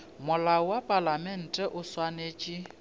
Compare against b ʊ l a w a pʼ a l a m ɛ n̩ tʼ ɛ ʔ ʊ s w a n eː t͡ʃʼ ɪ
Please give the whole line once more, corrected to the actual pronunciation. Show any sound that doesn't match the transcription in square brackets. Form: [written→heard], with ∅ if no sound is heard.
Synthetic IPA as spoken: [b→m] ʊ l a w a pʼ a l a m ɛ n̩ tʼ ɛ ʔ ʊ s w a n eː t͡ʃʼ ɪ